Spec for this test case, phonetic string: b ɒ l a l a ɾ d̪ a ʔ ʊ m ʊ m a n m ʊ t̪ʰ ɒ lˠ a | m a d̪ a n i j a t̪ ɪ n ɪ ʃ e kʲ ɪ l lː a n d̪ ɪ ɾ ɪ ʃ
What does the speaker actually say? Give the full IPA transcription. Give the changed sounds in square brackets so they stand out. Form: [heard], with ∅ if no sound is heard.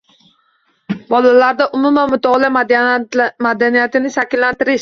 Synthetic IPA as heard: b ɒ l a l a ɾ d̪ a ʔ ʊ m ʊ m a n m ʊ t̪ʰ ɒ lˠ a | m a d̪ a n i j a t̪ ɪ n ɪ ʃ [a] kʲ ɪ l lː a n [t̪] ɪ ɾ ɪ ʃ